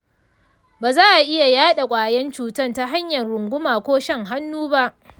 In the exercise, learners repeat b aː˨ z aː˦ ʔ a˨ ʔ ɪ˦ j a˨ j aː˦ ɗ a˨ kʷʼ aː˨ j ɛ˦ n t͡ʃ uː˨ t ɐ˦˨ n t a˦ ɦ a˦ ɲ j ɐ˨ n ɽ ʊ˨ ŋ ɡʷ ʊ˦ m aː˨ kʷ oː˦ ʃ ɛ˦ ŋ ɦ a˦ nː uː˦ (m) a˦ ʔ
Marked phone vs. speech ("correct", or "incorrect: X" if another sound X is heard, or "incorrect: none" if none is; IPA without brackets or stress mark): incorrect: b